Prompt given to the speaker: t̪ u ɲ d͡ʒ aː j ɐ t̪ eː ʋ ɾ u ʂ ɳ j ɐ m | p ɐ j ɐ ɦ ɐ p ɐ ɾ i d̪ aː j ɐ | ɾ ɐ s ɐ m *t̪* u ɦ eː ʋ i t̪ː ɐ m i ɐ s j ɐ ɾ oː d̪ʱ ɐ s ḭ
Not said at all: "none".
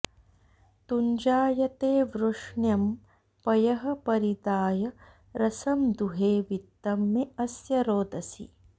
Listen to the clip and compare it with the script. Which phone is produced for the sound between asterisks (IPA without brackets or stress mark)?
d̪